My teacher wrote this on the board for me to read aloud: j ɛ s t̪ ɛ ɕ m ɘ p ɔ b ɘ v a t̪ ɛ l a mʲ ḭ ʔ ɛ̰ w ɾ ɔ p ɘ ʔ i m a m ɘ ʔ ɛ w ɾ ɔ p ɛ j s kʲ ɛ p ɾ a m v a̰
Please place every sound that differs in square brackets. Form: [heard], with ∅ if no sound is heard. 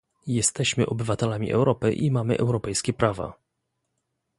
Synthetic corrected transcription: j ɛ s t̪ ɛ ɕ m ɘ [ʔ] ɔ b ɘ v a t̪ ɛ l a mʲ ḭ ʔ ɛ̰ w ɾ ɔ p ɘ ʔ i m a m ɘ ʔ ɛ w ɾ ɔ p ɛ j s kʲ ɛ p ɾ a [∅] v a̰

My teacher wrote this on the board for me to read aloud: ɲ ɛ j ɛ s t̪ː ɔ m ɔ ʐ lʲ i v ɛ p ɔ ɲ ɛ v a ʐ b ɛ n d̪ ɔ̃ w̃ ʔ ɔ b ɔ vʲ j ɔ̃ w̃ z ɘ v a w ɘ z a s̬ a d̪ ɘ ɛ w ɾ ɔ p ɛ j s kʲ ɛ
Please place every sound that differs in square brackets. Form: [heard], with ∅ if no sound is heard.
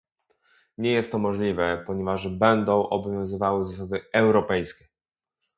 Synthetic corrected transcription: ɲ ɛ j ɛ s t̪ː ɔ m ɔ ʐ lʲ i v ɛ p ɔ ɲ ɛ v a ʐ b ɛ n d̪ ɔ̃ w̃ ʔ ɔ b ɔ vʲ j ɔ̃ w̃ z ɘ v a w ɘ z a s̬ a d̪ ɘ ɛ w ɾ ɔ p ɛ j s kʲ ɛ

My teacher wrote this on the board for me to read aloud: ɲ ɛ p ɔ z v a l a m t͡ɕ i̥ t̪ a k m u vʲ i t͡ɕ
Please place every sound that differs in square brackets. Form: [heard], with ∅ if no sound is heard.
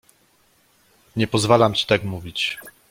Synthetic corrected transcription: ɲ ɛ p ɔ z v a l a m t͡ɕ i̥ t̪ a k m u vʲ i t͡ɕ

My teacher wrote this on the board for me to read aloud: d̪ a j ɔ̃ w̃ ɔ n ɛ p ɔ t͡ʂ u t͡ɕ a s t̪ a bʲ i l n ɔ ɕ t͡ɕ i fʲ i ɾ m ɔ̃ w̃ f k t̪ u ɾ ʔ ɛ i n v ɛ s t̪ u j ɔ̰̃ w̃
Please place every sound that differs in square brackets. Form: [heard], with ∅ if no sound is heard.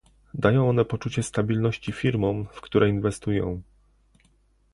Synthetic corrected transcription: d̪ a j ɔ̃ w̃ ɔ n ɛ p ɔ t͡ʂ u t͡ɕ [ɛ] s t̪ a bʲ i l n ɔ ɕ t͡ɕ i fʲ i ɾ m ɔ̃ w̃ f k t̪ u ɾ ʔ ɛ i n v ɛ s t̪ u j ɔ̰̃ w̃

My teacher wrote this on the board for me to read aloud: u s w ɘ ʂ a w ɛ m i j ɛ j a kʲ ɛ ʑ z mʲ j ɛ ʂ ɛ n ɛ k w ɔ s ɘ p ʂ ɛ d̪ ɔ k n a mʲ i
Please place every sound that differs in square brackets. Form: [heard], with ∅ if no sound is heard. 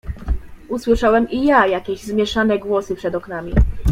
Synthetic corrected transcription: u s w ɘ ʂ a w ɛ m i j [a] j a kʲ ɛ ʑ z mʲ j ɛ ʂ [a] n ɛ [ɡ] w ɔ s ɘ p ʂ ɛ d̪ ɔ k n a mʲ i

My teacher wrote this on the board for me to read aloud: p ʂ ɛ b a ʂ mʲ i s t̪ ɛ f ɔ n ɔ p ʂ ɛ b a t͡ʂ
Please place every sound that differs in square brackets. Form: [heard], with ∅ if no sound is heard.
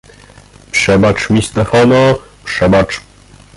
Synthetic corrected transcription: p ʂ ɛ b a [t͡ʂ] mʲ i s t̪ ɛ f ɔ n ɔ p ʂ ɛ b a t͡ʂ

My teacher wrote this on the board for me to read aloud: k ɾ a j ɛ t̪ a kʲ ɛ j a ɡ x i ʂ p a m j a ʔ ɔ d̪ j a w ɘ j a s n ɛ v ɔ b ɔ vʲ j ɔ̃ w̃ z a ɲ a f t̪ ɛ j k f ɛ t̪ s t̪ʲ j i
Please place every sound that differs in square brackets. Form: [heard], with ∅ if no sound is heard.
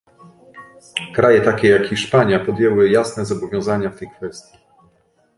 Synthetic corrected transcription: k ɾ a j ɛ t̪ a kʲ ɛ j a [k] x i ʂ p a [ɲ] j a [p] ɔ d̪ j [ɛ] w ɘ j a s n ɛ [z] ɔ b ɔ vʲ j ɔ̃ w̃ z a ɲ a f t̪ ɛ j k f ɛ [∅] s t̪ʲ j i

